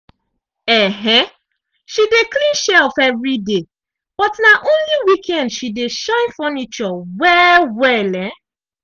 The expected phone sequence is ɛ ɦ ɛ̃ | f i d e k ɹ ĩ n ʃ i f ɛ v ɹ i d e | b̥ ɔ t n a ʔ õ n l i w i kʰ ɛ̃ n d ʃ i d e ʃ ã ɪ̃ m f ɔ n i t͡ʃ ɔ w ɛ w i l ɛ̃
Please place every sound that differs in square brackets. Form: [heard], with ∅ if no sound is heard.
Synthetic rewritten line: ɛ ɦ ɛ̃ | [ʃ] i d e k [l] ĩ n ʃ [ɛ] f ɛ v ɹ i d e | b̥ ɔ t n a ʔ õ n l i w i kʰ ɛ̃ n d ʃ i d e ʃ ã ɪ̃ [n] f ɔ n i t͡ʃ ɔ w ɛ w [ɛ] l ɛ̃

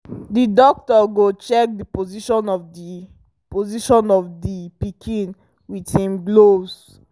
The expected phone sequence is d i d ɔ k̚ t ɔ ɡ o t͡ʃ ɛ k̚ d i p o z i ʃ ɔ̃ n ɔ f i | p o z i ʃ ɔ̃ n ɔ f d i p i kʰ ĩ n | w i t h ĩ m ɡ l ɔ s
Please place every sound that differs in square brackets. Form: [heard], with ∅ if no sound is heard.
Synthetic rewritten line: d i d ɔ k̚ t ɔ ɡ o t͡ʃ ɛ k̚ d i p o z i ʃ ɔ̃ n ɔ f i | p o z i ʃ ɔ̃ n ɔ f d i p i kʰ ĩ n | w i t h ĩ m ɡ l [o] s

